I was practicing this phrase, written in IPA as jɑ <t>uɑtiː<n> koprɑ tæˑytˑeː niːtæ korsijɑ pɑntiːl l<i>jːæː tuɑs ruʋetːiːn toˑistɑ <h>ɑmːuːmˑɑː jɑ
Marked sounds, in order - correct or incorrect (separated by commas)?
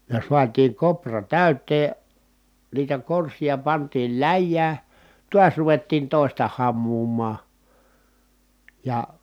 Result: incorrect, incorrect, incorrect, correct